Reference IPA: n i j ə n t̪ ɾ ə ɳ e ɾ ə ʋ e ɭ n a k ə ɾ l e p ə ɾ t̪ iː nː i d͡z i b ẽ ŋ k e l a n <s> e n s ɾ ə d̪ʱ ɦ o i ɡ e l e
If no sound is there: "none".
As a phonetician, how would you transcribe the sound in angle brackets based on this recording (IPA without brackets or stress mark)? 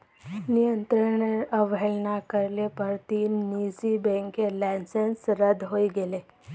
s